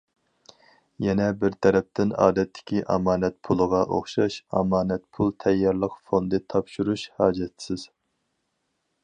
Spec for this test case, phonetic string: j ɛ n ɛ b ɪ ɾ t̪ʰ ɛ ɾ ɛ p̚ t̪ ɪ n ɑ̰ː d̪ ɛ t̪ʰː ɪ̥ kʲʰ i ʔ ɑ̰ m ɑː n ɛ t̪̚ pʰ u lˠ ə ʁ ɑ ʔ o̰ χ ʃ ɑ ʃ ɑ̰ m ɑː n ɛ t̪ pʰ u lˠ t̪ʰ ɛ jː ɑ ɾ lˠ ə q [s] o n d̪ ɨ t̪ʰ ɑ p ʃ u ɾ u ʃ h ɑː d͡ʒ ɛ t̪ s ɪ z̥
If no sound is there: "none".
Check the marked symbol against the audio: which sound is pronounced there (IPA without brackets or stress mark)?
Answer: f